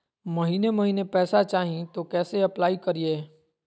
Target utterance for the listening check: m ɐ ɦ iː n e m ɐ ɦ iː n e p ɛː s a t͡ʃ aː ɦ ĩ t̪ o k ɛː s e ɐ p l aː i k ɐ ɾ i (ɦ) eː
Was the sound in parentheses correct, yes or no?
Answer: no